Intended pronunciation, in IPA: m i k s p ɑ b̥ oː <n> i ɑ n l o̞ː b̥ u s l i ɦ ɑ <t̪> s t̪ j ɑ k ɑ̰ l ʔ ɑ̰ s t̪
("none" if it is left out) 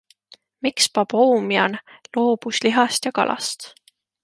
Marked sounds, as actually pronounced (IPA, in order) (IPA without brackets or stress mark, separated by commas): m, none